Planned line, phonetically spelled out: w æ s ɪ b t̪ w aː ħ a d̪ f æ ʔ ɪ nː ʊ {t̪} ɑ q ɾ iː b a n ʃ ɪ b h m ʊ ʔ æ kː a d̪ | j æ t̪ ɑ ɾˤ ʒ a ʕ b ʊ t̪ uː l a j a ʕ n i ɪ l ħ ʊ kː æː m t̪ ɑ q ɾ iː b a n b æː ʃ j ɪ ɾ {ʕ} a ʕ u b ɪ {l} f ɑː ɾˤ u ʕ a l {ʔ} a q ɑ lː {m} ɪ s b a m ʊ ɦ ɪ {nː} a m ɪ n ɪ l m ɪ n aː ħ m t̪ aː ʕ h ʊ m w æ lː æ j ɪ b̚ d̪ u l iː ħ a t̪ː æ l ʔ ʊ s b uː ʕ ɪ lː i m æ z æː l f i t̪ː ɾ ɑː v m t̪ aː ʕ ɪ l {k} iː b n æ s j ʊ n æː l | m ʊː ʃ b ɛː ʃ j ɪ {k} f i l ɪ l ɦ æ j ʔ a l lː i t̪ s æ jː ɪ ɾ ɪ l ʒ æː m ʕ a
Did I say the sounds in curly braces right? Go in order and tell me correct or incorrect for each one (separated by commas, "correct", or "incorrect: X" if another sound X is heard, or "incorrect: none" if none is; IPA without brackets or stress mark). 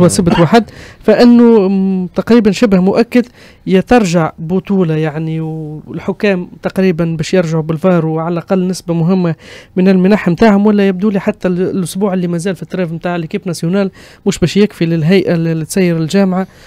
correct, incorrect: ʒ, correct, correct, incorrect: n, incorrect: mː, correct, correct